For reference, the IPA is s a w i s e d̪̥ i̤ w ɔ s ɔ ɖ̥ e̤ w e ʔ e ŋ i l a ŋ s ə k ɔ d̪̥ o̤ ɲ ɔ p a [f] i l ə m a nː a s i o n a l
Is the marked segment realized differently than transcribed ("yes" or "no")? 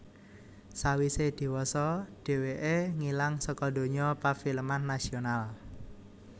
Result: no